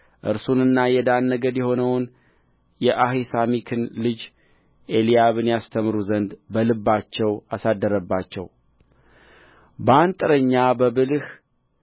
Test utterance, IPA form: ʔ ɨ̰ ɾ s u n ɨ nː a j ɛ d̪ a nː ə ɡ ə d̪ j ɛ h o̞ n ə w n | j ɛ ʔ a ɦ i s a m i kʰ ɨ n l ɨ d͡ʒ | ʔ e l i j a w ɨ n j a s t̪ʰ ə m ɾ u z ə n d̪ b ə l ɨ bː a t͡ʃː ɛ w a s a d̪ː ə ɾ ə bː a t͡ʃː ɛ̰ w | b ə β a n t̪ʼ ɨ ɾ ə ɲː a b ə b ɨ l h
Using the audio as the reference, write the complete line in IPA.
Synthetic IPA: ʔ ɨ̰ ɾ s u n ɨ nː a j ɛ d̪ a nː ə ɡ ə d̪ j ɛ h o̞ n ə w n | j ɛ ʔ a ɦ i s a m i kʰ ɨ n l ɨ d͡ʒ | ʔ e l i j a β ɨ n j a s t̪ʰ ə m ɾ u z ə n d̪ b ə l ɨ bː a t͡ʃː ɛ w a s a d̪ː ə ɾ ə bː a t͡ʃː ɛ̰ w | b ə a n t̪ʼ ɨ ɾ ə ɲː a b ə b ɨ l h